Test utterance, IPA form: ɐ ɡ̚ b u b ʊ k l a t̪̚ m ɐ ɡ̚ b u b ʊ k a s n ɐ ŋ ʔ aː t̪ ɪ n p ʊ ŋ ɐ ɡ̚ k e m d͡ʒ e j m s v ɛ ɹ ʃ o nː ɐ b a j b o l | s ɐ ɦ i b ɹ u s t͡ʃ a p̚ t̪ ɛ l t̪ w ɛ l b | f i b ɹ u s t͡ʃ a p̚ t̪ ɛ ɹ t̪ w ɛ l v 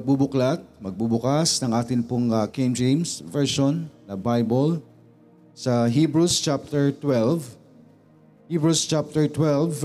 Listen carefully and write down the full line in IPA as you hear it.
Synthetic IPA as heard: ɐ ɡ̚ b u b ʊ k l a t̪̚ m ɐ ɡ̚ b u b ʊ k a s n ɐ ŋ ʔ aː t̪ ɪ n p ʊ ŋ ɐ k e m d͡ʒ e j m s v ɛ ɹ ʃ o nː ɐ b a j b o l | s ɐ ɦ i b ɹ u s t͡ʃ a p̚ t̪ ɛ ɹ t̪ w ɛ l v | h i b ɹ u s t͡ʃ a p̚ t̪ ɛ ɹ t̪ w ɛ l v